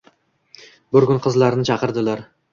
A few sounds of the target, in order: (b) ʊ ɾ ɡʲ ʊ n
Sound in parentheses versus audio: correct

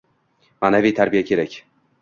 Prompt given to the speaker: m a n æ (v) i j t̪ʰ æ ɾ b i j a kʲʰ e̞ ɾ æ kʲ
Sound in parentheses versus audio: correct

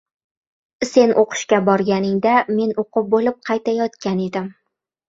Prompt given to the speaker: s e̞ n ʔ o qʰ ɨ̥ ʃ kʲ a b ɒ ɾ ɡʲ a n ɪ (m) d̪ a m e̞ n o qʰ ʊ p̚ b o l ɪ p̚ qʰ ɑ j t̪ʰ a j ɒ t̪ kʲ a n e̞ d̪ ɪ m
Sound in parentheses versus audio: incorrect: ŋ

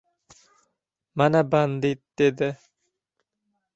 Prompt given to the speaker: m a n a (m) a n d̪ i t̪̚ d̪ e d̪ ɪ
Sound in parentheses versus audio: incorrect: b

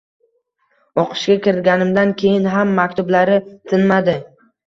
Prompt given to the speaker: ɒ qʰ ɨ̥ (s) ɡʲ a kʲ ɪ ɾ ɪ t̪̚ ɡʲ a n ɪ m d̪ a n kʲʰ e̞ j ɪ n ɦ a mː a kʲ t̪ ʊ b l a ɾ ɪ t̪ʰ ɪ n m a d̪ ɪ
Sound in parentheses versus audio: incorrect: ʃ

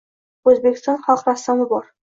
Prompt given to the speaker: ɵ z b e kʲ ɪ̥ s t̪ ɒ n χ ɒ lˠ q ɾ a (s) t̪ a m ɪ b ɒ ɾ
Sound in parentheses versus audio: correct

